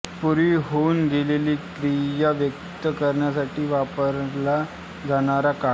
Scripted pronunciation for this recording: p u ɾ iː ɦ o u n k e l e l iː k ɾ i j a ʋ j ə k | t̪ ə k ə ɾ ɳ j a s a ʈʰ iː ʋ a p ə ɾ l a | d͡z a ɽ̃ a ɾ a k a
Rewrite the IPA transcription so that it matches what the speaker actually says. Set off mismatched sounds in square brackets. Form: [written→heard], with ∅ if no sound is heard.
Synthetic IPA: p u ɾ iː ɦ o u n [k→ɡ] e l e l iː k ɾ i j a ʋ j ə k | t̪ ə k ə ɾ ɳ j a s a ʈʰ iː ʋ a p ə ɾ l a | d͡z a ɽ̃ a ɾ a k a